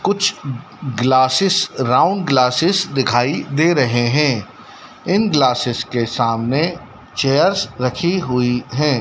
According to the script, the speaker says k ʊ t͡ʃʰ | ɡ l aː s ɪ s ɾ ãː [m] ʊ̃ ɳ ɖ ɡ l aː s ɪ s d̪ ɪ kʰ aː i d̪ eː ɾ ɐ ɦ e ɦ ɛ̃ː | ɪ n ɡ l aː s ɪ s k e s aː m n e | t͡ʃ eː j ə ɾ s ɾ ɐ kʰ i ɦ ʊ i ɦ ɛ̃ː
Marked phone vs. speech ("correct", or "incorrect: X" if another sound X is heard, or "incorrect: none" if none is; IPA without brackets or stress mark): incorrect: none